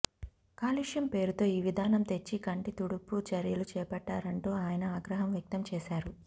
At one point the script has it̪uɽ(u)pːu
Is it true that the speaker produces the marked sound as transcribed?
yes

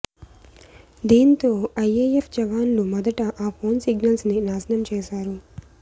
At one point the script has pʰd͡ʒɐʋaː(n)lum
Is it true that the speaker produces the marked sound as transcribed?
yes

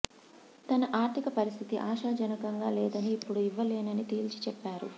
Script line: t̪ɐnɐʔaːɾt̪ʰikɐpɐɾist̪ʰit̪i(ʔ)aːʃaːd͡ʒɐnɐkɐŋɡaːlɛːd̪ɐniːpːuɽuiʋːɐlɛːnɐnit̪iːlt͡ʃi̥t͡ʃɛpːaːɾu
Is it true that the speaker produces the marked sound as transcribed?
yes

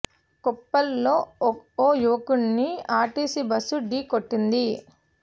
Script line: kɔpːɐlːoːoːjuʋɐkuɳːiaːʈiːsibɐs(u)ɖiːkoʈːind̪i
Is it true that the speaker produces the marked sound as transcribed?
yes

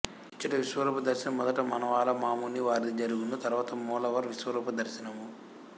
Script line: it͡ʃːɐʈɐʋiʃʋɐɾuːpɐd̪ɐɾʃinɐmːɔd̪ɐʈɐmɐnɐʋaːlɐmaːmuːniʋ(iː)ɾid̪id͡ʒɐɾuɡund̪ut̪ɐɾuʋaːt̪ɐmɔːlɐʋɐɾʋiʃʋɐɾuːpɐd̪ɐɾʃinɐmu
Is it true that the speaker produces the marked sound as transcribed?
no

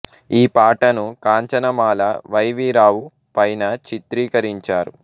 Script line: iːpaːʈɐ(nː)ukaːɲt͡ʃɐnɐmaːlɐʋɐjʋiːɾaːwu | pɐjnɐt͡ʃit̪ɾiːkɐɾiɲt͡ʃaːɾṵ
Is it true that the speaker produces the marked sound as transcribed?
no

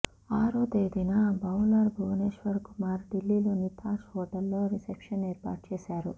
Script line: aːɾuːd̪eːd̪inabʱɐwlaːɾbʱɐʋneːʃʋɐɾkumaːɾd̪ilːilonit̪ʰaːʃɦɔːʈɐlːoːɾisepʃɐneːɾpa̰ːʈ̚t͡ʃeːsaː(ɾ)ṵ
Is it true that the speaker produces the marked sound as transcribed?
yes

